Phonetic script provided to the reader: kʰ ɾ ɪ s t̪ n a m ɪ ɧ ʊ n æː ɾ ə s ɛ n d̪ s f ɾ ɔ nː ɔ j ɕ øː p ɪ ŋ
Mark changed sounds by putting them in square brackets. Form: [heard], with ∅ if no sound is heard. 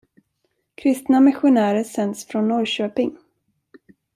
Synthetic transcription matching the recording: kʰ ɾ ɪ s t̪ n a m ɪ ɧ ʊ n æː ɾ ə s ɛ n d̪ s f ɾ ɔ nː ɔ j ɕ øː p ɪ ŋ